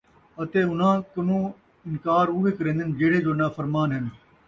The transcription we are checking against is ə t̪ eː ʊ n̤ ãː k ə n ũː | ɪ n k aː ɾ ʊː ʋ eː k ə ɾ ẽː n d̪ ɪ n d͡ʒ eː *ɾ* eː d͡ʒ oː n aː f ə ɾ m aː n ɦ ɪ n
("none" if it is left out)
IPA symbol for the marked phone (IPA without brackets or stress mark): ɽ